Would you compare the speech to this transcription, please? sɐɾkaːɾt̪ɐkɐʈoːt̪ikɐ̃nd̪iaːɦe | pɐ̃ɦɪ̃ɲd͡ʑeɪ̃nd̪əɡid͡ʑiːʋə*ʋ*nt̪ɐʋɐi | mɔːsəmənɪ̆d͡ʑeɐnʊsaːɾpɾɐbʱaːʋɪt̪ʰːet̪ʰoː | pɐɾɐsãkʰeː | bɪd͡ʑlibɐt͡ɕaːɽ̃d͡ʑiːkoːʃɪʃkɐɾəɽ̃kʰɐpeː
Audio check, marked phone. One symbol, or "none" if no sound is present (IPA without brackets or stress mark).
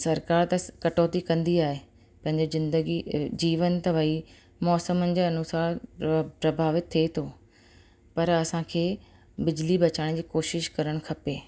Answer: none